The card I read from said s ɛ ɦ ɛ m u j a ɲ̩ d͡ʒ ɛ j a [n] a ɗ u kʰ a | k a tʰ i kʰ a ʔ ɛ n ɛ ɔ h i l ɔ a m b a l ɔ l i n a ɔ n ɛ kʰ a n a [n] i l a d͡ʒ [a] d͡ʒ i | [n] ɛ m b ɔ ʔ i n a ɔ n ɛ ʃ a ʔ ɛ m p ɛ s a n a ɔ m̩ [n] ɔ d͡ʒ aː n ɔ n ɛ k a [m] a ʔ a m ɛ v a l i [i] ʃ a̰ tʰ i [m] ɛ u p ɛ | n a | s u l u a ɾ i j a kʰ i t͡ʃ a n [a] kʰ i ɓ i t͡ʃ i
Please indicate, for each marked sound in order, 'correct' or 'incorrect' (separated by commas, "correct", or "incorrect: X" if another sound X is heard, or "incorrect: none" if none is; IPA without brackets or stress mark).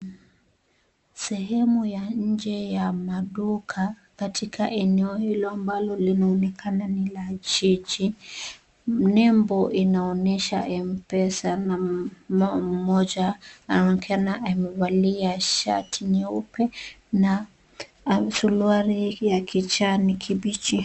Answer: incorrect: m, correct, incorrect: i, correct, incorrect: m, incorrect: n, incorrect: a, incorrect: ɲ, incorrect: i